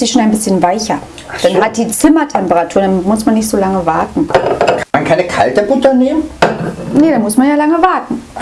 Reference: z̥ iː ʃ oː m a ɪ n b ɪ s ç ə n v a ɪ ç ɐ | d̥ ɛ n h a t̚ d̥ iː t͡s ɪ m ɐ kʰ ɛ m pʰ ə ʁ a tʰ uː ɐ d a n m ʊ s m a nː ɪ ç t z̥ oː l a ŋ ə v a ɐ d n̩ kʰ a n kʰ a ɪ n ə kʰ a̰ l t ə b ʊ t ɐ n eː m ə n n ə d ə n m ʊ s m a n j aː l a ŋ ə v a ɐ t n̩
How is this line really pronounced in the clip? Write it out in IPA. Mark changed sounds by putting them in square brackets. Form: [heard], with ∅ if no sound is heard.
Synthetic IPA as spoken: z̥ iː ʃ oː [n] a ɪ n b ɪ s ç ə n v a ɪ ç ɐ | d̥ [a] n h a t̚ d̥ iː t͡s ɪ m ɐ [tʰ] ɛ m [p] ə ʁ a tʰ uː ɐ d a n m ʊ s m a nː ɪ ç t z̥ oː l a ŋ ə v a ɐ [t] n̩ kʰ a n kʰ a ɪ n ə kʰ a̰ l t ə b ʊ t ɐ n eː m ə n n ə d [a] n m ʊ s m a n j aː l a ŋ ə v a ɐ t n̩